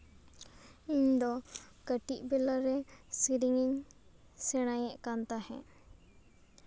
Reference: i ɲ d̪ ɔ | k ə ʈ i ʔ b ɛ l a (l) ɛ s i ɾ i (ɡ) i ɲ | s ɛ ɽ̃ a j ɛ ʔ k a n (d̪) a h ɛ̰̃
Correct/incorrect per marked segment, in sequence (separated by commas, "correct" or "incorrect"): incorrect, incorrect, incorrect